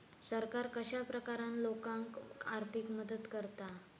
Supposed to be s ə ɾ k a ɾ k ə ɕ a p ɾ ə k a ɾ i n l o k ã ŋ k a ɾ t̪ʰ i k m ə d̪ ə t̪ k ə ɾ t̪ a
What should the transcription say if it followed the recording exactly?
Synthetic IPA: s ə ɾ k a ɾ k ə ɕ a p ɾ ə k a ɾ a n l o k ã ŋ k a ɾ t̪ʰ i k m ə d̪ ə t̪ k ə ɾ t̪ a